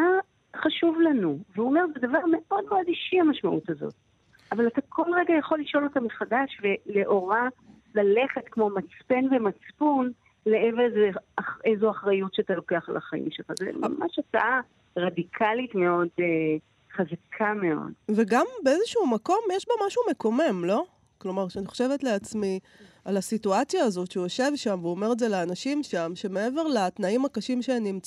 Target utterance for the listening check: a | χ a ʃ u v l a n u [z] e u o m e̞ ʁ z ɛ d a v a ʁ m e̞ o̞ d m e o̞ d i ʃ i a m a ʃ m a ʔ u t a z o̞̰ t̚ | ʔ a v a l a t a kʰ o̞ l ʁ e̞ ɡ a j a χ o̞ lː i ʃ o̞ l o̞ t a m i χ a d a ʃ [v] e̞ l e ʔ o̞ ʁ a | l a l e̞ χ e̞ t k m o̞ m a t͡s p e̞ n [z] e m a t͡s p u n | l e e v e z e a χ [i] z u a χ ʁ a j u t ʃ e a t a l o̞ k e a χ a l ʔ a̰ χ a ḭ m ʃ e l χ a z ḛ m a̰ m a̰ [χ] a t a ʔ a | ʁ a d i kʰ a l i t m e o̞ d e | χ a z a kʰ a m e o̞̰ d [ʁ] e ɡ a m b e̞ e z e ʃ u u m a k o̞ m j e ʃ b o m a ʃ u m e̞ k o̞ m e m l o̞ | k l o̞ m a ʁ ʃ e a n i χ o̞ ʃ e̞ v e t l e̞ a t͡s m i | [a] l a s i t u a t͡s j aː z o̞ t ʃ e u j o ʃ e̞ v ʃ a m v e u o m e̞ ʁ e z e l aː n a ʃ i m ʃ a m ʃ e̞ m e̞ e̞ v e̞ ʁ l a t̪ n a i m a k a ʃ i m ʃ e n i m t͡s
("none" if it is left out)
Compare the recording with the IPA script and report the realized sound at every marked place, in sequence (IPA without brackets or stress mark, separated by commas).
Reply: v, v, v, e, ʃ, v, a